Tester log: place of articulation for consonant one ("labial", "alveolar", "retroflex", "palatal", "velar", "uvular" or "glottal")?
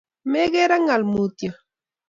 labial